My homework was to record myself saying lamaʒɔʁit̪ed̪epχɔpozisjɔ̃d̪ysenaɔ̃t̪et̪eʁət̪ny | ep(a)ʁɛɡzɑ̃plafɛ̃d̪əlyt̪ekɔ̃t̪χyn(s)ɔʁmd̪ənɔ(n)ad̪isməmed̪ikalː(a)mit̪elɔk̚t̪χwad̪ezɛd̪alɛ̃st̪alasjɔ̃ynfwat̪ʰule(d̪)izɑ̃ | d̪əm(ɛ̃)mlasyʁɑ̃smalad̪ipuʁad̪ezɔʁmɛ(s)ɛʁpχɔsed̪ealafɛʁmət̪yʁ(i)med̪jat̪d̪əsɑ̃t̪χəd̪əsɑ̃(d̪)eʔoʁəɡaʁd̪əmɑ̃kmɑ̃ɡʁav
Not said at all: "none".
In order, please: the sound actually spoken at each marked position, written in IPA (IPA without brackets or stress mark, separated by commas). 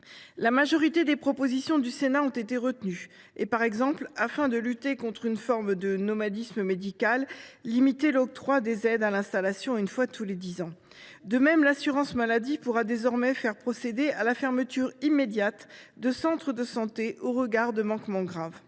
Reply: a, f, m, i, d̪, ɛ, f, i, t̪